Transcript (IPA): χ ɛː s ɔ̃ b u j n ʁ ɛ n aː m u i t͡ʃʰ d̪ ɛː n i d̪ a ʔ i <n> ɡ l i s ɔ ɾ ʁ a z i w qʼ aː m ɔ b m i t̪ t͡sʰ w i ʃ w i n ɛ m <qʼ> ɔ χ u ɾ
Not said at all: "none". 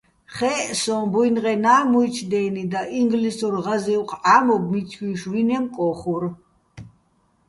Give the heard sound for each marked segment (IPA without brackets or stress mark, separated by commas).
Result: ŋ, kʼ